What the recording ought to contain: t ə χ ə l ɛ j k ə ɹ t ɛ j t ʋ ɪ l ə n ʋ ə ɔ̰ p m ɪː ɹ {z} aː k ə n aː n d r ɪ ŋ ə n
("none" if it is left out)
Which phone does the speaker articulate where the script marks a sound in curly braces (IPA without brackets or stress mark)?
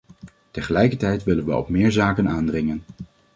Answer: z